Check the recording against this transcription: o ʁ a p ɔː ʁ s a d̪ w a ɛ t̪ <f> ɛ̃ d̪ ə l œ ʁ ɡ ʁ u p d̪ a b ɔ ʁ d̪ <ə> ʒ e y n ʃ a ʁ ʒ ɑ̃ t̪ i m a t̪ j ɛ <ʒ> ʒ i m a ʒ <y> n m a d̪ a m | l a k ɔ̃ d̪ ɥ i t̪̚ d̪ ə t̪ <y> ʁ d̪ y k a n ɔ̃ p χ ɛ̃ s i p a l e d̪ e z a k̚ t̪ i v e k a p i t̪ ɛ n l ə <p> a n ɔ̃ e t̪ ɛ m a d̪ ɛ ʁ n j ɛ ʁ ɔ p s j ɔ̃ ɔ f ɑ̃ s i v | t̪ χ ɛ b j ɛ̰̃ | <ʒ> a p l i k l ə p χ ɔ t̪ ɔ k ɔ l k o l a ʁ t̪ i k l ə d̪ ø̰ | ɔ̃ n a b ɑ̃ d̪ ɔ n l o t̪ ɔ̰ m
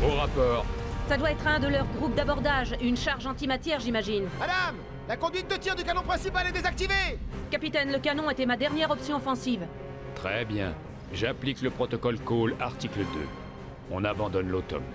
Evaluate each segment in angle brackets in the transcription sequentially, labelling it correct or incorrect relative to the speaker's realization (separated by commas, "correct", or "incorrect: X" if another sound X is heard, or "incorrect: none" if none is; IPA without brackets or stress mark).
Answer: incorrect: χ, incorrect: a, incorrect: ʁ, incorrect: i, incorrect: i, incorrect: k, correct